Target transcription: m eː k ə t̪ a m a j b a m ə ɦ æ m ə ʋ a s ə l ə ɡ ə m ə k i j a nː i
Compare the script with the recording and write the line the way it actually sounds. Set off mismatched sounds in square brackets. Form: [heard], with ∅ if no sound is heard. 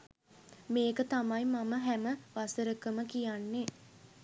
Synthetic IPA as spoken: m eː k ə t̪ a m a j [m] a m ə ɦ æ m ə ʋ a s ə [ɾ] ə [k] ə m ə k i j a nː [e]